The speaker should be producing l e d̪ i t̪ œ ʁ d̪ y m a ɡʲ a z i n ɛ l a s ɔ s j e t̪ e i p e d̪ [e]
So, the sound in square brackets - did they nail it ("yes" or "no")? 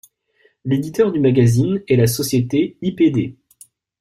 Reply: yes